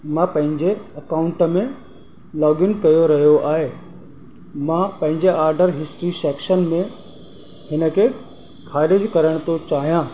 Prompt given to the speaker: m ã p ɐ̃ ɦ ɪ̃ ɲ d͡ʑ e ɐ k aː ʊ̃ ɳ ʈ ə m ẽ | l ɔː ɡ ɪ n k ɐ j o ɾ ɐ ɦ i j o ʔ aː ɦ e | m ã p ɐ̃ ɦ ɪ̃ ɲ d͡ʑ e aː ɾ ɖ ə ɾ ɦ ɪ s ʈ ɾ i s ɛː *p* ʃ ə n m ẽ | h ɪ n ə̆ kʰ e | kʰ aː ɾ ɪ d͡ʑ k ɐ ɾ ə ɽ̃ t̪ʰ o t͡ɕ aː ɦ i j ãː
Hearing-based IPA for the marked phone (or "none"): k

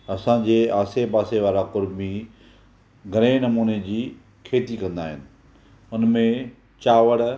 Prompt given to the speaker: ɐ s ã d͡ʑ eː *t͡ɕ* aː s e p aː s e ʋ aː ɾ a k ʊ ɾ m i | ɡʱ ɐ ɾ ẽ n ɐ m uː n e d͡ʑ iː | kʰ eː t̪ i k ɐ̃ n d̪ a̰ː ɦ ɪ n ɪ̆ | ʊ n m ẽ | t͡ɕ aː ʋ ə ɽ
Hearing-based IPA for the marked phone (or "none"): none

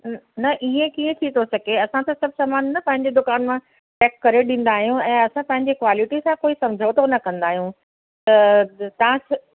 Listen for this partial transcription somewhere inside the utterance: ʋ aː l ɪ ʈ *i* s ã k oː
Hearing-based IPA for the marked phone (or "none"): i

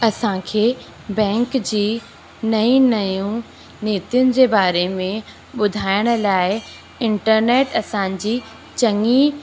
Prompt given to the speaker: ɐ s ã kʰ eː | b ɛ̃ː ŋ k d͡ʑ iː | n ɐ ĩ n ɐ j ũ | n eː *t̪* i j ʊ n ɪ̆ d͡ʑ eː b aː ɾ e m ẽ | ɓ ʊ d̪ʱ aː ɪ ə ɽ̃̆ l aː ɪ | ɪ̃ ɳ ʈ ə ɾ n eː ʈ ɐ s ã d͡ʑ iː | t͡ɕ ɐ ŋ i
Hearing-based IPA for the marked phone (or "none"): t̪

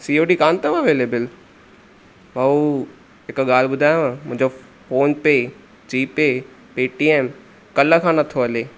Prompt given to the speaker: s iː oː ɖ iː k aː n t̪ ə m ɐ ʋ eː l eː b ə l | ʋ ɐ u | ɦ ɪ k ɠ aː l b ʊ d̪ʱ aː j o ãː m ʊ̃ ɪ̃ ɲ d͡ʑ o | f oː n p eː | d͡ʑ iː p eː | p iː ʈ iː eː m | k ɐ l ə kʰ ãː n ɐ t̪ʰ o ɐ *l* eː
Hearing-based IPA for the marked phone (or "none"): l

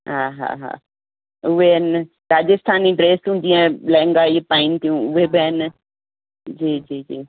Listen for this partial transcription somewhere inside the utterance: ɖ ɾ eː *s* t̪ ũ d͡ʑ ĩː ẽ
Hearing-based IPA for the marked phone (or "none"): s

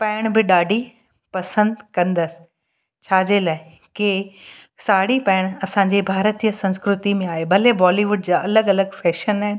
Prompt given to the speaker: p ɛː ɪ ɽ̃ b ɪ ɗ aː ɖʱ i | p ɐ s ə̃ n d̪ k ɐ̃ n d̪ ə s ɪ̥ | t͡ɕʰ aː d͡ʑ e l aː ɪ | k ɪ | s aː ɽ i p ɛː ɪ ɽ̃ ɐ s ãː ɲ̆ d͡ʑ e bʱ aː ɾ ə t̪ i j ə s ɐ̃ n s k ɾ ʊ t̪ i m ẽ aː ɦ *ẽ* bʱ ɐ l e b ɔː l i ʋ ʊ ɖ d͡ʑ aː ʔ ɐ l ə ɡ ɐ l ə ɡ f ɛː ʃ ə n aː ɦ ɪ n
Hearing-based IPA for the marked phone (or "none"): e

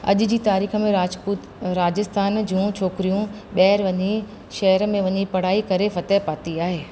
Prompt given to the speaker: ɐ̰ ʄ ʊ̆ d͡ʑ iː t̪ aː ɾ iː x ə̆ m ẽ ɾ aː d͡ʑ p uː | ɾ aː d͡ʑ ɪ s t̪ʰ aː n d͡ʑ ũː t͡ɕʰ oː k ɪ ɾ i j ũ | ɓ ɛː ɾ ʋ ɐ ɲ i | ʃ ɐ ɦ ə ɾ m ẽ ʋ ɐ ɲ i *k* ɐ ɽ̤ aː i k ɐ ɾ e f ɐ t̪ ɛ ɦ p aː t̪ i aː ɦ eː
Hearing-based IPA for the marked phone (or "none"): p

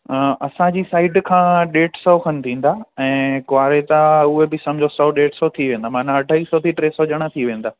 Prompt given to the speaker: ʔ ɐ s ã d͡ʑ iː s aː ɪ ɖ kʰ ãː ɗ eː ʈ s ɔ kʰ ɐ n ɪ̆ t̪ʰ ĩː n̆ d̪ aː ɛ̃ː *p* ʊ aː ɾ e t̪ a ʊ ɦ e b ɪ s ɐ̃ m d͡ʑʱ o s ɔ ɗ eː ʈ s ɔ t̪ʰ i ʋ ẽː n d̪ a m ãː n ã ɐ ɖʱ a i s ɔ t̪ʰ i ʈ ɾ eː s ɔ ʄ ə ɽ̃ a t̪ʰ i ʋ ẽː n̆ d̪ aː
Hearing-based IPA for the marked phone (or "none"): k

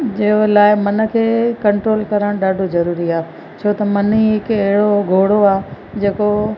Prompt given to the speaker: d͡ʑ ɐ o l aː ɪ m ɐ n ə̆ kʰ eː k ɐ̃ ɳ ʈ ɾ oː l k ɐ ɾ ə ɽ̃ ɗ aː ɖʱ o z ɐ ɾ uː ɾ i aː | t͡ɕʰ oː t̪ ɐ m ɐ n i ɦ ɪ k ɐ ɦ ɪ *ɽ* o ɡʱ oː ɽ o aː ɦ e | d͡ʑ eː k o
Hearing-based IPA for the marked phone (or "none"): ɽ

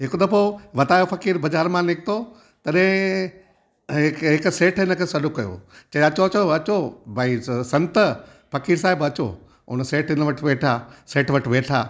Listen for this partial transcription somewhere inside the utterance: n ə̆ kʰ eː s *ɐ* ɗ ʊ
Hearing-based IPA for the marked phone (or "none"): ɐ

